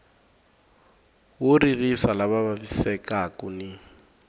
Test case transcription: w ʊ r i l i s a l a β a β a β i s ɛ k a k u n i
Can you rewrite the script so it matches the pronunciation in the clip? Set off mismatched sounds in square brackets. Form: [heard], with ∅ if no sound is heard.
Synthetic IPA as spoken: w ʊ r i [r] i s a l a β a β a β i s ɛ k a k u n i